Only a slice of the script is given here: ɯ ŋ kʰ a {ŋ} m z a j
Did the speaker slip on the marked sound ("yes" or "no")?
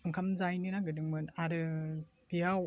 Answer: yes